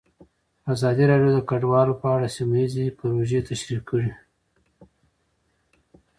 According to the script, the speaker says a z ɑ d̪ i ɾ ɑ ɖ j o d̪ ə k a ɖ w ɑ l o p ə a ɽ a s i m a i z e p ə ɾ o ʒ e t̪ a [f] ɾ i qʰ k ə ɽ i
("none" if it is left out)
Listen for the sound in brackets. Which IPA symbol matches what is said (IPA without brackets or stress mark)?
ʃ